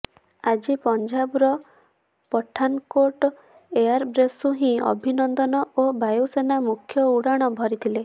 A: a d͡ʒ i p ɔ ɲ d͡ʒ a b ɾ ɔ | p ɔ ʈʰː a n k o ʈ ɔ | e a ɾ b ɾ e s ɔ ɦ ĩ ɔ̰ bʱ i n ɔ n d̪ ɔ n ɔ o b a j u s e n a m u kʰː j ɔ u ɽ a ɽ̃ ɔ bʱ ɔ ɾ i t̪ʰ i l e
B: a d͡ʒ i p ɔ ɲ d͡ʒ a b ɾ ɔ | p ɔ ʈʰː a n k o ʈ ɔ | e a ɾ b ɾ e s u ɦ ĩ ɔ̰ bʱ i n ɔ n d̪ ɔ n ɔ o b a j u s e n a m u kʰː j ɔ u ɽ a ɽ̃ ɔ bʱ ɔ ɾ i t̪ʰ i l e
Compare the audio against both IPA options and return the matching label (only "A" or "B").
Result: B